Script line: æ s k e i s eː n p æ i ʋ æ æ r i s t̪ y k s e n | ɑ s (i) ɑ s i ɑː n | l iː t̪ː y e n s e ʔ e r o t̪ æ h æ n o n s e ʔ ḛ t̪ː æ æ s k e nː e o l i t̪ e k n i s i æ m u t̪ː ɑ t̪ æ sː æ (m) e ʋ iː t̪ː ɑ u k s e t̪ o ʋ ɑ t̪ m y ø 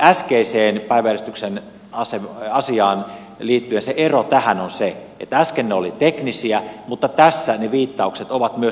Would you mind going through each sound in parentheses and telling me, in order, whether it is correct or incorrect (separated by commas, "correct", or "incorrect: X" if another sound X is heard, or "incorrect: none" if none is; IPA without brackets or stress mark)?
incorrect: e, incorrect: n